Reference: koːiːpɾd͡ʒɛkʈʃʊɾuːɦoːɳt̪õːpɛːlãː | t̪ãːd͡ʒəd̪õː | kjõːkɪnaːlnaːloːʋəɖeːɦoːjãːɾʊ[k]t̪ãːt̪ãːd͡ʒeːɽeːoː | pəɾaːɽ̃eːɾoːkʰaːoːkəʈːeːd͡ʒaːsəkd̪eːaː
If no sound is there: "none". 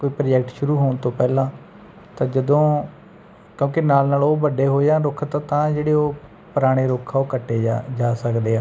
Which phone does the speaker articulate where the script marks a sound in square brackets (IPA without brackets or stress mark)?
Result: kʰ